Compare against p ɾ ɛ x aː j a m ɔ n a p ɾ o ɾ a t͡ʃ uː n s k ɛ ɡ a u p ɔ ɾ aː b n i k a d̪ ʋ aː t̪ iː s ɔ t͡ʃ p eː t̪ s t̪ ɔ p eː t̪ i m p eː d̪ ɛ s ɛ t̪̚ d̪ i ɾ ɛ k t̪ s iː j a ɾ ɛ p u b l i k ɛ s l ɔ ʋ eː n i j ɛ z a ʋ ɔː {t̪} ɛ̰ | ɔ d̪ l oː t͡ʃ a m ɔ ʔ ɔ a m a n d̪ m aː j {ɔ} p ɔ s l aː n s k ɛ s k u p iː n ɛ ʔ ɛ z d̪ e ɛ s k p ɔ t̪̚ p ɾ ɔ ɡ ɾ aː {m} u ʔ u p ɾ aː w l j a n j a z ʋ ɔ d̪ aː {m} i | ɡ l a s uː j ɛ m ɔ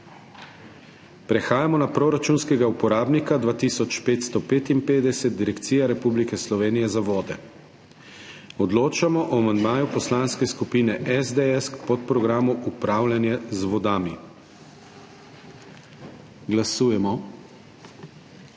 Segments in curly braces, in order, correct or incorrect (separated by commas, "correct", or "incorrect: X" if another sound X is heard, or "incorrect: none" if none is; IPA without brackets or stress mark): incorrect: d̪, incorrect: u, correct, correct